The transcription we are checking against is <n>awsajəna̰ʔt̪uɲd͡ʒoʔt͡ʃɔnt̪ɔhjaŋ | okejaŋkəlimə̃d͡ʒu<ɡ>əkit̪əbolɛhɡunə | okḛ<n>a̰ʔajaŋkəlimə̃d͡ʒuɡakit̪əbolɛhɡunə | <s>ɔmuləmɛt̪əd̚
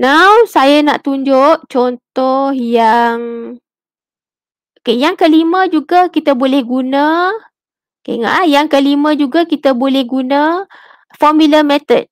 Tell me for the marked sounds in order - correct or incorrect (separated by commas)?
correct, correct, incorrect, incorrect